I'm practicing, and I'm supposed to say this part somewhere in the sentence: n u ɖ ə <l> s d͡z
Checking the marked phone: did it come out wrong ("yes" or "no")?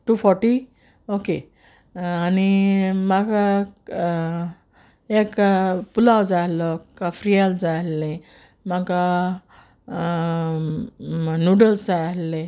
no